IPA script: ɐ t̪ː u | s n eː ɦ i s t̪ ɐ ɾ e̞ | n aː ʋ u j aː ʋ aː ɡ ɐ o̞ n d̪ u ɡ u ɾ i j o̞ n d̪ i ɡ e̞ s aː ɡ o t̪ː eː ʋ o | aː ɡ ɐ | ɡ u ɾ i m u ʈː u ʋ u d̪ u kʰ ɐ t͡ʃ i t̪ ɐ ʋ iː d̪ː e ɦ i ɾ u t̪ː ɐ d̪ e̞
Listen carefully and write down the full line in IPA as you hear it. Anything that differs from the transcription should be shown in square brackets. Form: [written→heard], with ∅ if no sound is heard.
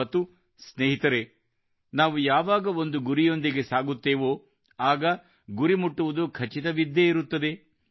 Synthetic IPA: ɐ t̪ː u | s n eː ɦ i [s→∅] t̪ ɐ ɾ e̞ | n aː ʋ u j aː ʋ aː ɡ ɐ o̞ n d̪ u ɡ u ɾ i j o̞ n d̪ i ɡ e̞ s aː ɡ [o→u] t̪ː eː ʋ o | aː ɡ ɐ | ɡ u ɾ i m u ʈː u ʋ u d̪ u kʰ ɐ t͡ʃ i t̪ ɐ ʋ [iː→i] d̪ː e [ɦ→∅] i ɾ u t̪ː ɐ d̪ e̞

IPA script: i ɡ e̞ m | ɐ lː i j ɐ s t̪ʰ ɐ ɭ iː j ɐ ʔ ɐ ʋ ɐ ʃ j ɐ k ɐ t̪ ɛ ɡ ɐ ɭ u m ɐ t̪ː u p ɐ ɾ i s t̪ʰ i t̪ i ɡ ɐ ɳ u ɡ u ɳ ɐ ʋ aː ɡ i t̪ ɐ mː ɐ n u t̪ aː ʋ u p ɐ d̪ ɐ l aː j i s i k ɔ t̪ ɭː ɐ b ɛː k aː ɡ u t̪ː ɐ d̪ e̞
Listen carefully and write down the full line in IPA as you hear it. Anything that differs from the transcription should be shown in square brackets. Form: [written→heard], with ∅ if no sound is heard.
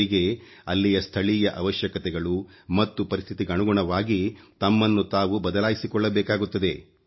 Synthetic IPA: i ɡ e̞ [m→∅] | ɐ lː i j ɐ s t̪ʰ ɐ ɭ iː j ɐ ʔ ɐ ʋ ɐ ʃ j ɐ k ɐ t̪ ɛ ɡ ɐ ɭ u m ɐ t̪ː u p ɐ ɾ i s t̪ʰ i t̪ i ɡ ɐ ɳ u ɡ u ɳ ɐ ʋ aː ɡ i t̪ ɐ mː ɐ [n→nː] u t̪ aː ʋ u [p→b] ɐ d̪ ɐ l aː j i s i k ɔ [t̪→∅] ɭː ɐ b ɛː k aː ɡ u t̪ː ɐ d̪ e̞

